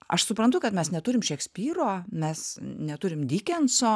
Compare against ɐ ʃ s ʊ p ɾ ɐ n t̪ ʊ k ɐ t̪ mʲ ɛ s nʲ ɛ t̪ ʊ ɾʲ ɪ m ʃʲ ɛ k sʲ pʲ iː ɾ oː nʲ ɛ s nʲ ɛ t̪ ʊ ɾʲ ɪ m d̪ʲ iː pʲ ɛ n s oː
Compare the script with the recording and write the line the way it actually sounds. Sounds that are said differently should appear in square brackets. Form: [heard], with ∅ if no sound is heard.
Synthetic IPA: ɐ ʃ s ʊ p ɾ ɐ n t̪ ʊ k ɐ t̪ mʲ ɛ s nʲ ɛ t̪ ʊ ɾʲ ɪ m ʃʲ ɛ k sʲ pʲ iː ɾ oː [mʲ] ɛ s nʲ ɛ t̪ ʊ ɾʲ ɪ m d̪ʲ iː [kʲ] ɛ n s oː